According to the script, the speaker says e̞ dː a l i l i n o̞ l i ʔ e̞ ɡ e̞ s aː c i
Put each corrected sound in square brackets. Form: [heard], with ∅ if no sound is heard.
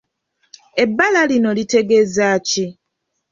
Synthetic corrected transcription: e̞ [bː] a l [a] l i n o̞ l i [t] e̞ ɡ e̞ [z] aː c i